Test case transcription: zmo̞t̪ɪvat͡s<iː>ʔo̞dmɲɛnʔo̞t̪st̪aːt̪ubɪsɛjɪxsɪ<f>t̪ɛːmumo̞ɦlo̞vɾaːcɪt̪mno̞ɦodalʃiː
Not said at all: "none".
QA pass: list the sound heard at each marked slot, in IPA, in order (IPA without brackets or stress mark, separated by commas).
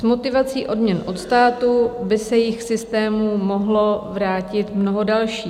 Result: iː, s